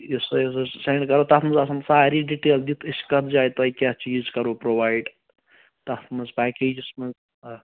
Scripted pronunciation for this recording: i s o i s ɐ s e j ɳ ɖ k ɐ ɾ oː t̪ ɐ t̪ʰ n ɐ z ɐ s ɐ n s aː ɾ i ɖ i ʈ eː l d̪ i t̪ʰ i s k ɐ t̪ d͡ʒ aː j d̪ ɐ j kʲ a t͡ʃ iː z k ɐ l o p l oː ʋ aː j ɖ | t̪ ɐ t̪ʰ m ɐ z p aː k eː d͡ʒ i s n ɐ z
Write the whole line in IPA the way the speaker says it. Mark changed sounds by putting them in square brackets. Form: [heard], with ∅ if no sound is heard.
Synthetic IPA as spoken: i s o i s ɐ s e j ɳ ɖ k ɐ ɾ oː t̪ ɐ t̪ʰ [m] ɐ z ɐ s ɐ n s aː ɾ i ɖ i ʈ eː l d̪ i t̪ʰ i s k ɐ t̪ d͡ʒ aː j [t̪] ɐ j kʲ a t͡ʃ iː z k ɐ [ɾ] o p [ɾ] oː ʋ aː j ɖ | t̪ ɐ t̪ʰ m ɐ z p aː k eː d͡ʒ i s [m] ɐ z